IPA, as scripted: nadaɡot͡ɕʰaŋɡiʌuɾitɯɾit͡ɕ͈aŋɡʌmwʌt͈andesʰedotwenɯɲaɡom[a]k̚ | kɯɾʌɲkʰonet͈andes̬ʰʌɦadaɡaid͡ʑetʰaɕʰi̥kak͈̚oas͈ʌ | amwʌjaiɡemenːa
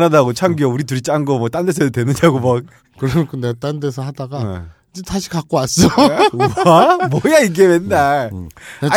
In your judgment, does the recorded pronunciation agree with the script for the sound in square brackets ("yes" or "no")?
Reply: yes